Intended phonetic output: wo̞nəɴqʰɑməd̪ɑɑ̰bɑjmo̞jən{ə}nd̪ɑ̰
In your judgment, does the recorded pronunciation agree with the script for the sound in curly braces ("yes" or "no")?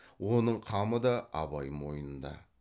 yes